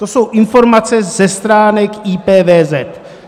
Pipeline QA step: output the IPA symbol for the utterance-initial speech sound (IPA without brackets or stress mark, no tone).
t̪